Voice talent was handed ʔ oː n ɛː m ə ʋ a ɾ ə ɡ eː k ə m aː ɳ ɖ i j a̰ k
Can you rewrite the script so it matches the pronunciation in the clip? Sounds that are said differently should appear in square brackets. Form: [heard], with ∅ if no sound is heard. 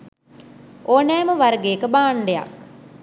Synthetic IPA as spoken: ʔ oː n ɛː m ə ʋ a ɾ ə ɡ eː k ə [b] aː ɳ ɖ [e] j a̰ k